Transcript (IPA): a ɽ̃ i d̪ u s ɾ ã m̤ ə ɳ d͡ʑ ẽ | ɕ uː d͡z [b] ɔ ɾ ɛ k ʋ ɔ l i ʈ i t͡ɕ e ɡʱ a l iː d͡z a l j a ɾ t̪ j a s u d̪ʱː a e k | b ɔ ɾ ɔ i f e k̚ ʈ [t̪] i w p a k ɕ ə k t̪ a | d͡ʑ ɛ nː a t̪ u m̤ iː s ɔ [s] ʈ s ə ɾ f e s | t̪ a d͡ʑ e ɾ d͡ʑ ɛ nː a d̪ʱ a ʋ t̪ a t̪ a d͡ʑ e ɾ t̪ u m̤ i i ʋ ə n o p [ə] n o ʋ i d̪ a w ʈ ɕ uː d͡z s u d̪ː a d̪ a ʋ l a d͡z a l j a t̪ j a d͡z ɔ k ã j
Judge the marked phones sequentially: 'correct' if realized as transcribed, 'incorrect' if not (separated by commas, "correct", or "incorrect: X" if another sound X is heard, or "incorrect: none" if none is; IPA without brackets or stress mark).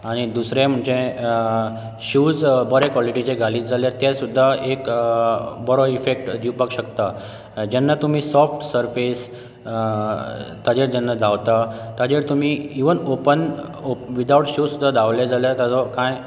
correct, incorrect: d̪, incorrect: f, correct